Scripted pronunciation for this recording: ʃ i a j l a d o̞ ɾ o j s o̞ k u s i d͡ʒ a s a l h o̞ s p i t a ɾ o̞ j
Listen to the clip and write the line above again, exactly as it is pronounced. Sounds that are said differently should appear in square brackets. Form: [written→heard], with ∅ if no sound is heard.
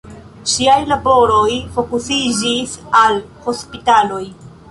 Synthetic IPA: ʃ i a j l a [d→b] o̞ ɾ o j [s→f] o̞ k u s i d͡ʒ [a→i] s a l h o̞ s p i t a [ɾ→l] o̞ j

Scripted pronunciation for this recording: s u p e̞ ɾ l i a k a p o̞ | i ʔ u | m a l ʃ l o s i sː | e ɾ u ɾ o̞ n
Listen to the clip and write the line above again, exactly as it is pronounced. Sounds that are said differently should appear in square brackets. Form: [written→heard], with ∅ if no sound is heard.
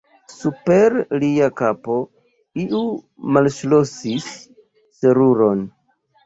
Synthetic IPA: s u p e̞ ɾ l i a k a p o̞ | i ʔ u | m a l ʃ l o s i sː | e ɾ u ɾ o̞ n

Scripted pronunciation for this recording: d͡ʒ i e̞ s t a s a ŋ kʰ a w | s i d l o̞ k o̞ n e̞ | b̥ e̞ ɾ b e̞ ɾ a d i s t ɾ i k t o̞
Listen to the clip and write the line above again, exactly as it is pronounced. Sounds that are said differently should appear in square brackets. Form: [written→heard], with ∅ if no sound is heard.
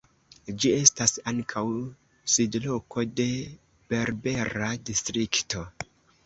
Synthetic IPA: d͡ʒ i e̞ s t a s a ŋ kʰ a w | s i d l o̞ k o̞ [n→d] e̞ | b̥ e̞ ɾ b e̞ ɾ a d i s t ɾ i k t o̞

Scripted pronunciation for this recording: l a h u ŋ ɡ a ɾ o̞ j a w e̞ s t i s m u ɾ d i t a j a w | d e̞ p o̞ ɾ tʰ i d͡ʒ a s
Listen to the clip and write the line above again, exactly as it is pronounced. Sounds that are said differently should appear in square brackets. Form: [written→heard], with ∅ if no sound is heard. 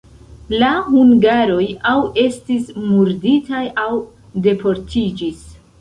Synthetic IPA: l a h u ŋ ɡ a ɾ o̞ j a w e̞ s t i s m u ɾ d i t a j a w | d e̞ p o̞ ɾ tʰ i d͡ʒ [a→i] s

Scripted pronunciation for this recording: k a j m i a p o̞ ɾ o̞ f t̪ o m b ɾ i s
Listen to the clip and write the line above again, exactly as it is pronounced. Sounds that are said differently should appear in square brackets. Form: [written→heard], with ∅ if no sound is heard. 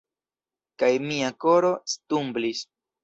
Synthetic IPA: k a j m i a [p→k] o̞ ɾ o̞ [f→s] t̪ [o→u] m b [ɾ→l] i s

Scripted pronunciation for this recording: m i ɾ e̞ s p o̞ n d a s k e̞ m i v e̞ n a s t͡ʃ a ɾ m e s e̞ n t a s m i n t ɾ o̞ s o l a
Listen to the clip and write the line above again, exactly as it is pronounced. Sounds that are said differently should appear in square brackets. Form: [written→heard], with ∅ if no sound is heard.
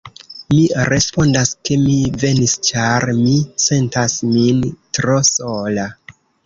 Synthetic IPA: m i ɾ e̞ s p o̞ n d a s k e̞ m i v e̞ n [a→i] s t͡ʃ a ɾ m [e→i] s e̞ n t a s m i n t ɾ o̞ s o l a

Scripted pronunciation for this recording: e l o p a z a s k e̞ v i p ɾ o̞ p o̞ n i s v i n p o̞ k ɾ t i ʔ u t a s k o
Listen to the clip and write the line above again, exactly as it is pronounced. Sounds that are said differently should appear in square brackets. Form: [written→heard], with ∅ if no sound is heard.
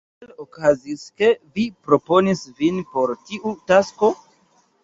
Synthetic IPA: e l o [p→k] a z [a→i] s k e̞ v i p ɾ o̞ p o̞ n i s v i n p o̞ [k→∅] ɾ t i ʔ u t a s k o

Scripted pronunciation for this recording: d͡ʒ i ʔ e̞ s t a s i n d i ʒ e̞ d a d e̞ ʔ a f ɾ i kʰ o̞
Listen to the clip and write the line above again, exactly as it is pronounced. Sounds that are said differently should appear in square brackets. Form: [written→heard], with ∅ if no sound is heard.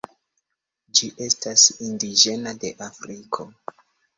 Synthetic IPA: d͡ʒ i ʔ e̞ s t a s i n d i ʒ e̞ [d→n] a d e̞ ʔ a f ɾ i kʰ o̞

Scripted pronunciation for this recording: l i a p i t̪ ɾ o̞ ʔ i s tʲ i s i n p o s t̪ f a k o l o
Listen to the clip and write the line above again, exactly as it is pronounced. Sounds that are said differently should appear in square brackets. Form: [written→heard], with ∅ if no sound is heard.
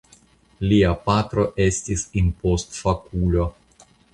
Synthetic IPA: l i a p [i→a] t̪ ɾ o̞ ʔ [i→e] s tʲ i s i n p o s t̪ f a k [o→u] l o

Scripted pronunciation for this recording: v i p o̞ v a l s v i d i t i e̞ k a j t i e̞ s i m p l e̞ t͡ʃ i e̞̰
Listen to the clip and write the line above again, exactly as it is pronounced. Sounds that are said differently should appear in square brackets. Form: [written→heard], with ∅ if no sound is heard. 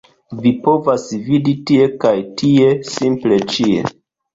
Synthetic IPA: v i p o̞ v a [l→∅] s v i d i t i e̞ k a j t i e̞ s i m p l e̞ t͡ʃ i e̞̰

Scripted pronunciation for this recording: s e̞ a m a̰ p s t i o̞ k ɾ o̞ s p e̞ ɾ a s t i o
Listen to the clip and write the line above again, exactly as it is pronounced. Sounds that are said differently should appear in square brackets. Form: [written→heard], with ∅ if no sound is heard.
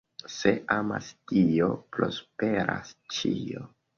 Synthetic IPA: s e̞ a m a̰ [p→∅] s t i o̞ [k→p] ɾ o̞ s p e̞ ɾ a s [t→t͡ʃ] i o

